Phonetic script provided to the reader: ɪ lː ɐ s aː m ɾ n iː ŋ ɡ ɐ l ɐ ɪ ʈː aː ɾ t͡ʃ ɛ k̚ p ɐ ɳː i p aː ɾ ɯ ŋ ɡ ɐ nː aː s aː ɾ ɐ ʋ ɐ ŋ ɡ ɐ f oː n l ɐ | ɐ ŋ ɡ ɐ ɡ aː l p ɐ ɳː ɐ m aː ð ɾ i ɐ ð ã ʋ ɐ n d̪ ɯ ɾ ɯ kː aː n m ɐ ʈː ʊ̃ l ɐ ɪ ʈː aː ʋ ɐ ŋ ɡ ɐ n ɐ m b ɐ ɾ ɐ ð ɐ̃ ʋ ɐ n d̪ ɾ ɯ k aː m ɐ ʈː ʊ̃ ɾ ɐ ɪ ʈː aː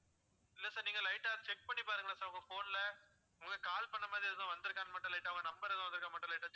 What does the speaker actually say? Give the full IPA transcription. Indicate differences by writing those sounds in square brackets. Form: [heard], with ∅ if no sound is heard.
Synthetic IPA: ɪ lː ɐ s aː [∅] ɾ n iː ŋ ɡ ɐ l ɐ ɪ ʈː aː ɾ t͡ʃ ɛ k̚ p ɐ ɳː i p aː ɾ ɯ ŋ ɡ ɐ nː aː s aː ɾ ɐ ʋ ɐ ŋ ɡ ɐ f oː n l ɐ | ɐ ŋ ɡ ɐ [k] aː l p ɐ ɳː ɐ m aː ð ɾ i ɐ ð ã ʋ ɐ n d̪ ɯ ɾ ɯ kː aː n m ɐ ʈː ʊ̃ l ɐ ɪ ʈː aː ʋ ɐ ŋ ɡ ɐ n ɐ m b ɐ ɾ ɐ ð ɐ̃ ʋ ɐ n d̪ ɾ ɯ k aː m ɐ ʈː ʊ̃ [l] ɐ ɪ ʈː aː

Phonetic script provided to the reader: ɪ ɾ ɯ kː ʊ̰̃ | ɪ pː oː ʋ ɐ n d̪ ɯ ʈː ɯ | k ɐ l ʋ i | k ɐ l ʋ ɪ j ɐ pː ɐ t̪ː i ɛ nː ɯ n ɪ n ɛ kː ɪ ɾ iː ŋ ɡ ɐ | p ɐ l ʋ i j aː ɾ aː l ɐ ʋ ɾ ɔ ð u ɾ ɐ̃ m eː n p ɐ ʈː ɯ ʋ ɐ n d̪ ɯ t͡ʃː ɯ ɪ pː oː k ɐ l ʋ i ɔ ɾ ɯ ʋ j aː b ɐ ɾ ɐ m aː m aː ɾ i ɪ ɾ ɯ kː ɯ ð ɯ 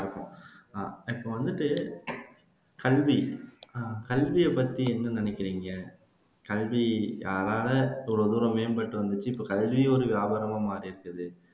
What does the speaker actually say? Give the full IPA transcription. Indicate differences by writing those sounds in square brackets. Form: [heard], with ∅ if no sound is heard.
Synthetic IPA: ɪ ɾ ɯ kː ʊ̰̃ | ɪ pː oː ʋ ɐ n d̪ ɯ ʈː ɯ | k ɐ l ʋ i | k ɐ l ʋ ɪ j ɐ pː ɐ t̪ː i ɛ nː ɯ n ɪ n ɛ kː ɪ ɾ iː ŋ ɡ ɐ | [k] ɐ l ʋ i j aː ɾ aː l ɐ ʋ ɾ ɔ ð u ɾ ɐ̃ m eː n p ɐ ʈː ɯ ʋ ɐ n d̪ ɯ t͡ʃː ɯ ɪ pː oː k ɐ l ʋ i ɔ ɾ ɯ ʋ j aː b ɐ ɾ ɐ m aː m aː ɾ i ɪ ɾ ɯ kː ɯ ð ɯ

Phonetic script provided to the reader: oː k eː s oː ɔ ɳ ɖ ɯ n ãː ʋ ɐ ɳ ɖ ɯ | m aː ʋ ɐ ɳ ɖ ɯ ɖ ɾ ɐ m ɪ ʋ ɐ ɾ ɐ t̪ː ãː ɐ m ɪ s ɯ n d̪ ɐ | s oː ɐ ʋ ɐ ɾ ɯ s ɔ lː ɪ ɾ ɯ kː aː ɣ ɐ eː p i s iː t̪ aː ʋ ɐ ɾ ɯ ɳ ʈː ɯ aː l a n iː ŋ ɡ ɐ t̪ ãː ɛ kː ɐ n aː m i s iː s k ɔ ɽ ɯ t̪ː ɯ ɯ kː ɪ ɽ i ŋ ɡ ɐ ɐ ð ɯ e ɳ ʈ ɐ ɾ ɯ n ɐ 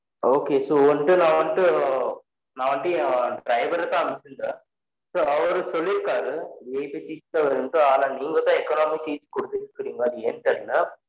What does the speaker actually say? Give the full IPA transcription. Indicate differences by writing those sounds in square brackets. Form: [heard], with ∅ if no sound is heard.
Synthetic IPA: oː k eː s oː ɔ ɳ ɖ ɯ n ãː ʋ ɐ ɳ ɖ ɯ | [n] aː ʋ ɐ ɳ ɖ ɯ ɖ ɾ ɐ [∅] ɪ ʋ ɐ ɾ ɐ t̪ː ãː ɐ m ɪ s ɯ n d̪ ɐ | s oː ɐ ʋ ɐ ɾ ɯ s ɔ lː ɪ ɾ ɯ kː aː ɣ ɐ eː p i s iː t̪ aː ʋ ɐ ɾ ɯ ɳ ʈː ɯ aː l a n iː ŋ ɡ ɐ t̪ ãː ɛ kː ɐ n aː m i s iː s k ɔ ɽ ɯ t̪ː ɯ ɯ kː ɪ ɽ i ŋ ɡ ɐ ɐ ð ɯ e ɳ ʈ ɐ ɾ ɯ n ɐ

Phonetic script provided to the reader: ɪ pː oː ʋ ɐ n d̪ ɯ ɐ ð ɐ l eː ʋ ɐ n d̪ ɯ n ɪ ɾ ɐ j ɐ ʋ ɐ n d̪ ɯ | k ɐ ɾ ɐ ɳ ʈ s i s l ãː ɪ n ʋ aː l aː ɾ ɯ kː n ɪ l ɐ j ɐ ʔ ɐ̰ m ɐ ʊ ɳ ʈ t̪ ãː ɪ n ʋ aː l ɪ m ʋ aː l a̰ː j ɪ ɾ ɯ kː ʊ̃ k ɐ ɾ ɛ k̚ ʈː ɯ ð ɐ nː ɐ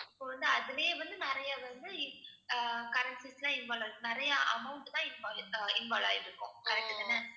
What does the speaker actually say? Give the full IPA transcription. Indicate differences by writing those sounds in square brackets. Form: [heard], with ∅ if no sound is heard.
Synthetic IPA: ɪ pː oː ʋ ɐ n d̪ ɯ ɐ ð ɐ l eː ʋ ɐ n d̪ ɯ n ɪ ɾ ɐ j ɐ ʋ ɐ n d̪ ɯ | k ɐ ɾ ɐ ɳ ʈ s i s l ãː ɪ n ʋ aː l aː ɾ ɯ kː n ɪ [ɾ] ɐ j ɐ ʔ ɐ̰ m ɐ ʊ ɳ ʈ t̪ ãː ɪ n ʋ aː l ɪ [n] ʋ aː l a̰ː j ɪ ɾ ɯ kː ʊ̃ k ɐ ɾ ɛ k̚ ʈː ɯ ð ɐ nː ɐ

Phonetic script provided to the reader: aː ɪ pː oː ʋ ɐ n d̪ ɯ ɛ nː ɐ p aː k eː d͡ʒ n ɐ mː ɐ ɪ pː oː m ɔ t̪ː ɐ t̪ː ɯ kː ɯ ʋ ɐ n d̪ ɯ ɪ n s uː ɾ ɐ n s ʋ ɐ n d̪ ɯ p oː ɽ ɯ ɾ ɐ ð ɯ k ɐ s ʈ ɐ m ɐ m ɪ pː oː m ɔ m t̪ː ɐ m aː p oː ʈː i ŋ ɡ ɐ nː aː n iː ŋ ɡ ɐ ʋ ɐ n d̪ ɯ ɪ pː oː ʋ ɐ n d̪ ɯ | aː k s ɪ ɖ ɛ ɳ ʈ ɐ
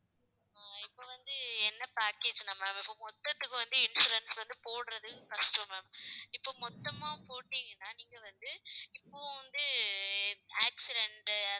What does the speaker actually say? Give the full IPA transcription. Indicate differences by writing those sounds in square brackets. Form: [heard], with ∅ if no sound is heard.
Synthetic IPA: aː ɪ pː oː ʋ ɐ n d̪ ɯ ɛ nː ɐ p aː k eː d͡ʒ n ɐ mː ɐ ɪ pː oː m ɔ t̪ː ɐ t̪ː ɯ kː ɯ ʋ ɐ n d̪ ɯ ɪ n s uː ɾ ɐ n s ʋ ɐ n d̪ ɯ p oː ɽ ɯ ɾ ɐ ð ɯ k ɐ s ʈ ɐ m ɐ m ɪ pː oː m ɔ [∅] t̪ː ɐ m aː p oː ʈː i ŋ ɡ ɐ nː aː n iː ŋ ɡ ɐ ʋ ɐ n d̪ ɯ ɪ pː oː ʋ ɐ n d̪ ɯ | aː k s ɪ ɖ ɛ ɳ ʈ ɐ

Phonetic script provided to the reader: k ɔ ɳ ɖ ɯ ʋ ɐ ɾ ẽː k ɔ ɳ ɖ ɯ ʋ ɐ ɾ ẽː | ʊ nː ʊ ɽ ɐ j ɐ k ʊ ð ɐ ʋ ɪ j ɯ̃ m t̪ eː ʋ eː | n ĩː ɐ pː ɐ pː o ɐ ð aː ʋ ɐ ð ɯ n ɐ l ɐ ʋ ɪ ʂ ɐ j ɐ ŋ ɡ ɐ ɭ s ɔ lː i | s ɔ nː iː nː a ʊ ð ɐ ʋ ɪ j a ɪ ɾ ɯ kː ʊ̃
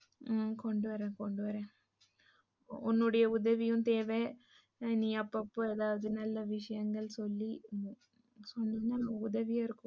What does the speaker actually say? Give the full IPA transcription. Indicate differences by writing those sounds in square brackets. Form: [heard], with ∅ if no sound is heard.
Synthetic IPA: k ɔ ɳ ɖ ɯ ʋ ɐ ɾ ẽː k ɔ ɳ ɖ ɯ ʋ ɐ ɾ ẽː | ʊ nː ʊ ɽ ɐ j ɐ [∅] ʊ ð ɐ ʋ ɪ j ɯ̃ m t̪ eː ʋ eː | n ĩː ɐ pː ɐ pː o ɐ ð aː ʋ ɐ ð ɯ n ɐ [lː] ɐ ʋ ɪ ʂ ɐ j ɐ ŋ ɡ ɐ ɭ s ɔ lː i | s ɔ nː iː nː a ʊ ð ɐ ʋ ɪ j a ɪ ɾ ɯ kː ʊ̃

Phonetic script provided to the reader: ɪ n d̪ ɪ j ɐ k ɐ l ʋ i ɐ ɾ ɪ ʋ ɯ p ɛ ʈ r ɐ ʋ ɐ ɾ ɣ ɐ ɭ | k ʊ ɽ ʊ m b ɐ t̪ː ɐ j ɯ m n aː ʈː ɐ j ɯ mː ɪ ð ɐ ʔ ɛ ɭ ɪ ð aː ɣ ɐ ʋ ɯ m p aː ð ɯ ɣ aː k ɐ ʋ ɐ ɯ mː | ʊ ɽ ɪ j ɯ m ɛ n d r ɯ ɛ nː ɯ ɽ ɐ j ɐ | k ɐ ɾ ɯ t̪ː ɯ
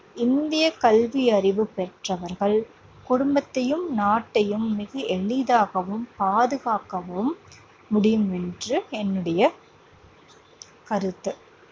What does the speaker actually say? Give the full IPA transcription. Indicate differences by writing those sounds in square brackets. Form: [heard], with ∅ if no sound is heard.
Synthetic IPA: ɪ n d̪ ɪ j ɐ k ɐ l ʋ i ɐ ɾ ɪ ʋ ɯ p ɛ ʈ r ɐ ʋ ɐ ɾ ɣ ɐ ɭ | k ʊ ɽ ʊ m b ɐ t̪ː ɐ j ɯ m n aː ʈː ɐ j ɯ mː ɪ [ɣ] ɐ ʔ ɛ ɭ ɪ ð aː ɣ ɐ ʋ ɯ m p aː ð ɯ ɣ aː k ɐ ʋ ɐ ɯ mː | ʊ ɽ ɪ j ɯ m ɛ n d r ɯ ɛ nː ɯ ɽ ɐ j ɐ | k ɐ ɾ ɯ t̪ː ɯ

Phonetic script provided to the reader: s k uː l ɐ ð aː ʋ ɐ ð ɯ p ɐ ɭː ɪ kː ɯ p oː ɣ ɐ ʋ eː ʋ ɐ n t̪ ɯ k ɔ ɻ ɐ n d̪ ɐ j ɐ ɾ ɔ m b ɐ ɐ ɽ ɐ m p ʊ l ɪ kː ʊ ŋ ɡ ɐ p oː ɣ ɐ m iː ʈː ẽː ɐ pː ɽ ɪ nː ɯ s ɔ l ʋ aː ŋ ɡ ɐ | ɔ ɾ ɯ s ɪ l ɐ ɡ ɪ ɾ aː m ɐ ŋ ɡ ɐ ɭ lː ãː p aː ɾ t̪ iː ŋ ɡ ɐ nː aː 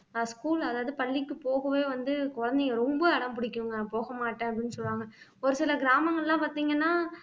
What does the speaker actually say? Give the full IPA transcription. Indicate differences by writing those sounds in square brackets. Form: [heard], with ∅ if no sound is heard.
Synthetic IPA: s k uː l ɐ ð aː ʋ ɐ ð ɯ p ɐ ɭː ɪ kː ɯ p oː ɣ ɐ ʋ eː ʋ ɐ n [d̪] ɯ k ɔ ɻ ɐ n d̪ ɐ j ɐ ɾ ɔ m b ɐ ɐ ɽ ɐ m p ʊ [ɽ] ɪ kː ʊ ŋ ɡ ɐ p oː ɣ ɐ m [aː] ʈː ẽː ɐ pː ɽ ɪ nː ɯ s ɔ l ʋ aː ŋ ɡ ɐ | ɔ ɾ ɯ s ɪ l ɐ ɡ ɪ ɾ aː m ɐ ŋ ɡ ɐ ɭ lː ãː p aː ɾ t̪ iː ŋ ɡ ɐ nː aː

